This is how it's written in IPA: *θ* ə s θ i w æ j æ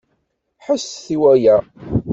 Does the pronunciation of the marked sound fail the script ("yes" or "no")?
yes